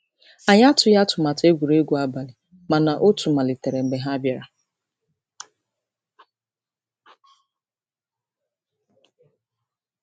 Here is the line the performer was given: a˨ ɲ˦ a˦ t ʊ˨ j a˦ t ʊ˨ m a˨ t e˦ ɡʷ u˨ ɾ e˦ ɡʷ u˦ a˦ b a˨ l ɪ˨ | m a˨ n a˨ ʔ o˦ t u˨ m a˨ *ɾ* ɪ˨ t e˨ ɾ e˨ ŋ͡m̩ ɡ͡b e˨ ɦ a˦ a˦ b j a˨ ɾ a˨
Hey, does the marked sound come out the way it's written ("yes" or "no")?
no